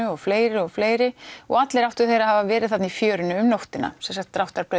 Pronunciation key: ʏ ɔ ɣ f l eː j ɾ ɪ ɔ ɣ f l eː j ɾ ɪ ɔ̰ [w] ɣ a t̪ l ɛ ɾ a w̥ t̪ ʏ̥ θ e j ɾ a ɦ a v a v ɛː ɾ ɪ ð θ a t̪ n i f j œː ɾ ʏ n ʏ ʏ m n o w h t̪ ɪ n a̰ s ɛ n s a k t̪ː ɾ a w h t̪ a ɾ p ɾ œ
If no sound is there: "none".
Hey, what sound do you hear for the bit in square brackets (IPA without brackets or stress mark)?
none